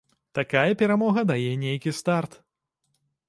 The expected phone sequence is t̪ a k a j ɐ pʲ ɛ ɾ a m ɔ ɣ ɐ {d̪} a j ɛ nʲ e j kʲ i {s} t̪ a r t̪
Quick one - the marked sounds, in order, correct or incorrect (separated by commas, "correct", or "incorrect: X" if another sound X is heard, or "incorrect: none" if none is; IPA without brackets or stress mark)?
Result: correct, correct